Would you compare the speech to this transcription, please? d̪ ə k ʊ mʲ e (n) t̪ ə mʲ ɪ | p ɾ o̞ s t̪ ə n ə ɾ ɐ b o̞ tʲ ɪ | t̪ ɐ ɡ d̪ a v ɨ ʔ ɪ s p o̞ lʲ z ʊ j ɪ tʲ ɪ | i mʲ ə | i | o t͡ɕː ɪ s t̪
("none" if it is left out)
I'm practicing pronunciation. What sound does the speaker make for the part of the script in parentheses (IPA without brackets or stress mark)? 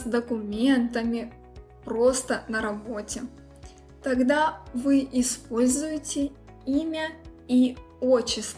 n